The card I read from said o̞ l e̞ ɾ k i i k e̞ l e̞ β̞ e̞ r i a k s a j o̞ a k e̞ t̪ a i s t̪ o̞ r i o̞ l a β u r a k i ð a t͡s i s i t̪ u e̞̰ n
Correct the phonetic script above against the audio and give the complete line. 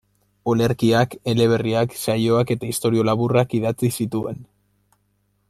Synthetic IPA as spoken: o̞ l e̞ ɾ k i a k e̞ l e̞ β̞ e̞ r i a k s a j o̞ a k e̞ t̪ a i s t̪ o̞ ɾ i o̞ l a β u r a k i ð a t͡s i s i t̪ u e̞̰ n